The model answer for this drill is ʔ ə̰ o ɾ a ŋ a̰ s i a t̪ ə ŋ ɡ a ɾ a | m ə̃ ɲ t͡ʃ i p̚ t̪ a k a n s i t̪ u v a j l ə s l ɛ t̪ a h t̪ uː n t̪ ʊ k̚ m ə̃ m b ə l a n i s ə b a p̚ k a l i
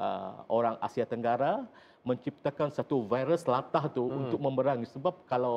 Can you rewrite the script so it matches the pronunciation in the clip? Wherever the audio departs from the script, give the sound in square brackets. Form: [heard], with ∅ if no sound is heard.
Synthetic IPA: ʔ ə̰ o ɾ a ŋ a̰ s i a t̪ ə ŋ ɡ a ɾ a | m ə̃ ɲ t͡ʃ i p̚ t̪ a k a n s [a] t̪ u v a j [ɾ] ə s l [a] t̪ a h t̪ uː n t̪ ʊ k̚ m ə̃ m b ə [ɾ] a [ŋ] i s ə b a p̚ k a l [a]